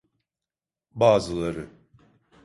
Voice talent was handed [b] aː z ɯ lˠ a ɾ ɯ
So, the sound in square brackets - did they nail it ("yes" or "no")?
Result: yes